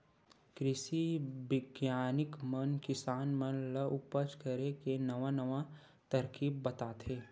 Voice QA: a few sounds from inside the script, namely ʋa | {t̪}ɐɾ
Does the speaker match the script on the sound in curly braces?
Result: yes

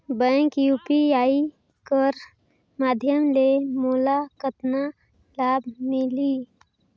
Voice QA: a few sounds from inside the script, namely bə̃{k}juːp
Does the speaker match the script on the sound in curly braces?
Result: yes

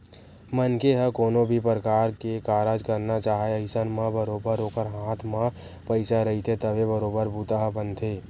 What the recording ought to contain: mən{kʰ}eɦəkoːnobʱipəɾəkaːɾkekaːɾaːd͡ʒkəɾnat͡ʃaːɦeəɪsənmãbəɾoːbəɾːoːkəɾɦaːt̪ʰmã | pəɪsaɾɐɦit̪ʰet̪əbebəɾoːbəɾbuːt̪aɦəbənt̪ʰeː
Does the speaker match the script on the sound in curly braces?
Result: no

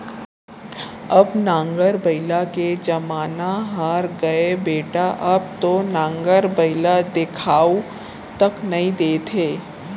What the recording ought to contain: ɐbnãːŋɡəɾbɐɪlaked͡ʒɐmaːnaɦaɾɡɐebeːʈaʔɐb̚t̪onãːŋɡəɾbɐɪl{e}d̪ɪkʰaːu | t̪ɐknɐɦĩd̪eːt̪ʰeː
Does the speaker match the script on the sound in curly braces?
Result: no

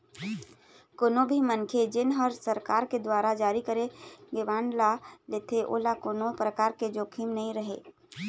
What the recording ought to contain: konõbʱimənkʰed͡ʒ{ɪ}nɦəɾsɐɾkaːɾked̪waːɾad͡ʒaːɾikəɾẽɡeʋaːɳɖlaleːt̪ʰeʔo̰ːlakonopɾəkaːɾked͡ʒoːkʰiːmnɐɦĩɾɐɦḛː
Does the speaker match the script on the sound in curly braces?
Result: yes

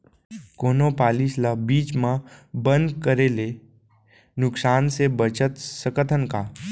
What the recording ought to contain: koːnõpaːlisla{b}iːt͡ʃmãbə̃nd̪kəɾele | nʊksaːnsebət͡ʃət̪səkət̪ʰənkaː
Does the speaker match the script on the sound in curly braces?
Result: yes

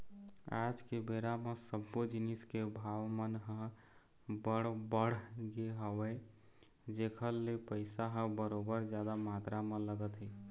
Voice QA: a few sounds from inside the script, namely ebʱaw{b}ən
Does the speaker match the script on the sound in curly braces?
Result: no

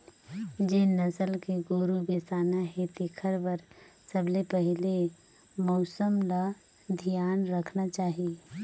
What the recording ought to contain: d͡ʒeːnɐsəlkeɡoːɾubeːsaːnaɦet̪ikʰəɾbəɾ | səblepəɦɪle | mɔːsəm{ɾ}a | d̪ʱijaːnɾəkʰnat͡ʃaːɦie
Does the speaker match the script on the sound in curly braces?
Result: no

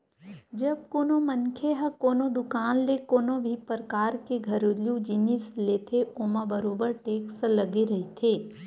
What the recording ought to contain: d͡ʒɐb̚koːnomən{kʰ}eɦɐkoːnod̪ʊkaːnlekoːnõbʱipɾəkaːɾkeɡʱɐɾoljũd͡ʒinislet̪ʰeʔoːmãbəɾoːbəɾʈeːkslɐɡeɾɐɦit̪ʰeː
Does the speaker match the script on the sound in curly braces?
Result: yes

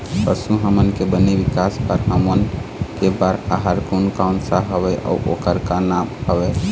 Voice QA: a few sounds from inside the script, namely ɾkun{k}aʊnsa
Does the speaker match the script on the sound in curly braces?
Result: yes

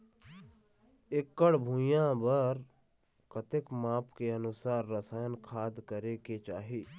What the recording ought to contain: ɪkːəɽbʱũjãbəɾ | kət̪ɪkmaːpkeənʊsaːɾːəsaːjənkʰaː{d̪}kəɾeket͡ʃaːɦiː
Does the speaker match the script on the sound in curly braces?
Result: yes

